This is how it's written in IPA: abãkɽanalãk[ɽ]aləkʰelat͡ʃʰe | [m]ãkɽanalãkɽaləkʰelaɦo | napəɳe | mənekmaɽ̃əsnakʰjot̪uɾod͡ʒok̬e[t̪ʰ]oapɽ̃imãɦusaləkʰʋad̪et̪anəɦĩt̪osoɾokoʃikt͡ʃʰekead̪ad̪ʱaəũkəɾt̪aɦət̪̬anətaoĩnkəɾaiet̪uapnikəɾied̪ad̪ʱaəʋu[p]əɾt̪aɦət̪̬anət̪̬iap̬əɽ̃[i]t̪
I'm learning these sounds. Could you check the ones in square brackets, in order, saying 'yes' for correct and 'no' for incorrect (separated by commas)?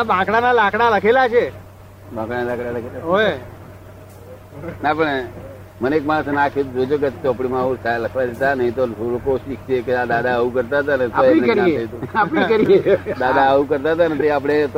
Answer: yes, no, no, no, no